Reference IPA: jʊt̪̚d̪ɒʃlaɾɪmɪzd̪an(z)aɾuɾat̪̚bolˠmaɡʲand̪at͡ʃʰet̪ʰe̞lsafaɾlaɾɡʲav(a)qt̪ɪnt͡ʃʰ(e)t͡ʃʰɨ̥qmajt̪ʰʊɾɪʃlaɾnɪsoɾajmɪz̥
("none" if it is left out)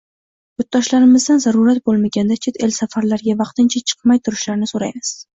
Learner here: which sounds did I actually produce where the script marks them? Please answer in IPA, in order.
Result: z, ɑ, a

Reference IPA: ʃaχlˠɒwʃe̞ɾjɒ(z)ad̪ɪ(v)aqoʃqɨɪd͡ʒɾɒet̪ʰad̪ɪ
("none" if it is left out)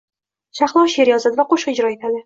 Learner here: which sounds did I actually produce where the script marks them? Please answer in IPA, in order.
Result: z, v

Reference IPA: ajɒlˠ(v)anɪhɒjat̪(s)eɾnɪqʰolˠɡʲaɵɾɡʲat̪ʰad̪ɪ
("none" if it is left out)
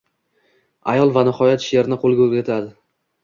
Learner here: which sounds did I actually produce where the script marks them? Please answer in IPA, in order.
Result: v, ʃ

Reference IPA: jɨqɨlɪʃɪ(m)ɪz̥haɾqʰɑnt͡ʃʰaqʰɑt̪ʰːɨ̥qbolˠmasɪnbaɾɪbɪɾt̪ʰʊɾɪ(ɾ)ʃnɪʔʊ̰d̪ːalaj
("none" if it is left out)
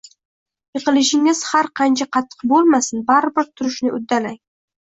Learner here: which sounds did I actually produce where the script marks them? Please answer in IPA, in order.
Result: ŋ, none

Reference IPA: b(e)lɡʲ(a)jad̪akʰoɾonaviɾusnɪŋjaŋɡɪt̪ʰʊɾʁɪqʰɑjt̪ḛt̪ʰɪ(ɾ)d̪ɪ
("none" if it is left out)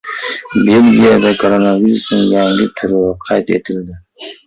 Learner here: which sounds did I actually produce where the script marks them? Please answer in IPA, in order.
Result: e, i, l

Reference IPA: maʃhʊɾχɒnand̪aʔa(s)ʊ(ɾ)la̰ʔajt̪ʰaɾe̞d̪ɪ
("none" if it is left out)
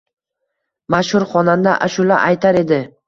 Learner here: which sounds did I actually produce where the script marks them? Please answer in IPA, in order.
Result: ʃ, none

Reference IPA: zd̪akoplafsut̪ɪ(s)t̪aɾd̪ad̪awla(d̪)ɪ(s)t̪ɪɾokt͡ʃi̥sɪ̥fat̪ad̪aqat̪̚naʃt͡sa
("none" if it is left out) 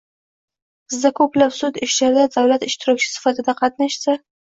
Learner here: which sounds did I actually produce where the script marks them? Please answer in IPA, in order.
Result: ʃ, t̪, ʃ

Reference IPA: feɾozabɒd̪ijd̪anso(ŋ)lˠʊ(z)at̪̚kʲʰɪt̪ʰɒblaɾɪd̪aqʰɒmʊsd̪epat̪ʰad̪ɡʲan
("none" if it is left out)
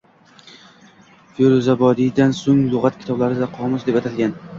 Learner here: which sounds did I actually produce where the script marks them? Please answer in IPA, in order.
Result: ŋ, ʁ

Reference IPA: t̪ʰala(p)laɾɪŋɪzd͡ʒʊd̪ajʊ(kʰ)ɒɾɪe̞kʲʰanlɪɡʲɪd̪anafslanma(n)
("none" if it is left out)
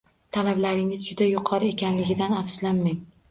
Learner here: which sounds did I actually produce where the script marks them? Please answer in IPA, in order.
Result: b, qʰ, ŋ

